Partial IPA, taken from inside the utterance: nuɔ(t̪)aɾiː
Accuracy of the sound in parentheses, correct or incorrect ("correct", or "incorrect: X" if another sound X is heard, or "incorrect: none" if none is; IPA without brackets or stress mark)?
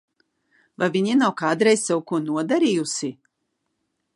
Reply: incorrect: d̪